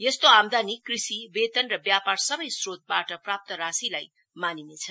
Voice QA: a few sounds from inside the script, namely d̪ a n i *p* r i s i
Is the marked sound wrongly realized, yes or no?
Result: yes